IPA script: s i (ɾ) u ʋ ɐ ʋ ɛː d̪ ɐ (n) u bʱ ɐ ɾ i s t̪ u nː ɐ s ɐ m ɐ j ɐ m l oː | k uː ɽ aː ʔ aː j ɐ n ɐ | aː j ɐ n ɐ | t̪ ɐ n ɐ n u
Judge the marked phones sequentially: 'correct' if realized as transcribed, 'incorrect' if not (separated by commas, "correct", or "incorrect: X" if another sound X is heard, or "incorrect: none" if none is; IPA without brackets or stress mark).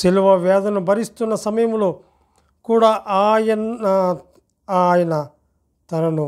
incorrect: l, correct